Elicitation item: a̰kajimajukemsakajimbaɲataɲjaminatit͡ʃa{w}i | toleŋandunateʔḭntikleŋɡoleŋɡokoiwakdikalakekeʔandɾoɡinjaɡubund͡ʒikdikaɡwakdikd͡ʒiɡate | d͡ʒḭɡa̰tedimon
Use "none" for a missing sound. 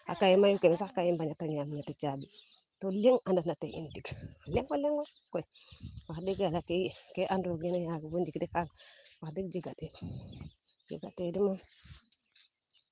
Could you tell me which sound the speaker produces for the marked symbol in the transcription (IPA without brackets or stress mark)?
b